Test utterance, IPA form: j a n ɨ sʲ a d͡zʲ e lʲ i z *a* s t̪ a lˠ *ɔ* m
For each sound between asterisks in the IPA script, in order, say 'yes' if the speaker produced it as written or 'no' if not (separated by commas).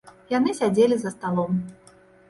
no, yes